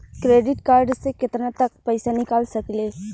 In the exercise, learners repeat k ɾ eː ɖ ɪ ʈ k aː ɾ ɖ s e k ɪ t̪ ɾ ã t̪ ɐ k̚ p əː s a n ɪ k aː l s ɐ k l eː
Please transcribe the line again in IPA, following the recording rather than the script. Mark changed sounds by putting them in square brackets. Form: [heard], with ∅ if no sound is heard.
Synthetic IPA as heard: k ɾ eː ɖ ɪ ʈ k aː ɾ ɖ s e k ɪ t̪ ɾ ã t̪ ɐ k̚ p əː s a n ɪ k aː l s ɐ k l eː